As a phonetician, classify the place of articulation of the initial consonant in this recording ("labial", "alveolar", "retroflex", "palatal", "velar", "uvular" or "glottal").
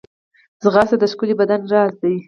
alveolar